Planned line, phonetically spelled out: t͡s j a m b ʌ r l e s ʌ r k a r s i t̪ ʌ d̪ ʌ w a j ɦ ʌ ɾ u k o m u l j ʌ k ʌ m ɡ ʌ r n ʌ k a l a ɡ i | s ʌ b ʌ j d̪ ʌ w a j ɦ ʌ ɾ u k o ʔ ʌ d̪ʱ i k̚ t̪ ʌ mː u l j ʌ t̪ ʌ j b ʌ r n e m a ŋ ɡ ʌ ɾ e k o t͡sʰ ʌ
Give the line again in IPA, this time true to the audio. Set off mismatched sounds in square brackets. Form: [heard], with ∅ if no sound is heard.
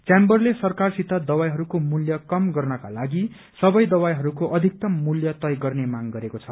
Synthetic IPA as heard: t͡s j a m b ʌ r l e s ʌ r k a r s i t̪ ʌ d̪ ʌ w a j ɦ ʌ ɾ u k o m u l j ʌ k ʌ m ɡ ʌ r n ʌ k a l a ɡ i | s ʌ b ʌ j d̪ ʌ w a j ɦ ʌ ɾ u k o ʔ ʌ d̪ʱ i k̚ t̪ ʌ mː u l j ʌ t̪ ʌ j [ɡ] ʌ r n e m a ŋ ɡ ʌ ɾ e k o t͡sʰ ʌ

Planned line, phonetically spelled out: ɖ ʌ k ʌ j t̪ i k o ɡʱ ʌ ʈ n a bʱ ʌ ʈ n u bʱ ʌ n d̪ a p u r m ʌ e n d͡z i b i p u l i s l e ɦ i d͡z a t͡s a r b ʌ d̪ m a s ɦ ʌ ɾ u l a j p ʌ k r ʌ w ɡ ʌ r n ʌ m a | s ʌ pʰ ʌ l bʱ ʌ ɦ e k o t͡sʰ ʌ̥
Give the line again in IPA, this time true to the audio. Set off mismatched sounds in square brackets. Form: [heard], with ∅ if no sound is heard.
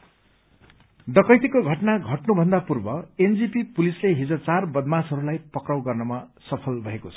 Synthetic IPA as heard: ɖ ʌ k ʌ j t̪ i k o ɡʱ ʌ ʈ n a [ɡʱ] ʌ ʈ n u bʱ ʌ n d̪ a p u r [b] ʌ e n d͡z i [p] i p u l i s l e ɦ i d͡z [ʌ] t͡s a r b ʌ d̪ m a s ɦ ʌ ɾ u l a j p ʌ k r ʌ w ɡ ʌ r n ʌ m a | s ʌ pʰ ʌ l bʱ ʌ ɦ e k o t͡sʰ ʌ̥

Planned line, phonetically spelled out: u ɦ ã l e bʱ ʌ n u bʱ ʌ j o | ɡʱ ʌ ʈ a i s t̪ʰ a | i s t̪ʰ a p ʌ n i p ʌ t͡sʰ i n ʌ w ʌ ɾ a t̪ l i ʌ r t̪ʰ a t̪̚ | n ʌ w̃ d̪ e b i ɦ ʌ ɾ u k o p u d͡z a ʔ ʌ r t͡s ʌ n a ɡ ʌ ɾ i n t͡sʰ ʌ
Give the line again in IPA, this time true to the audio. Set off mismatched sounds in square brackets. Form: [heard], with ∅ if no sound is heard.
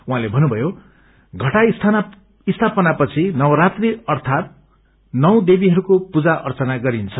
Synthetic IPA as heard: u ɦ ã l e bʱ ʌ n u bʱ ʌ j o | ɡʱ ʌ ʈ a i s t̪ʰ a | i s t̪ʰ a p ʌ n [a] p ʌ t͡sʰ i n ʌ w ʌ ɾ a t̪ [r] i ʌ r t̪ʰ a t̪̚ | n ʌ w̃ d̪ e b i ɦ ʌ ɾ u k o p u d͡z a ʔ ʌ r t͡s ʌ n a ɡ ʌ ɾ i n t͡sʰ ʌ

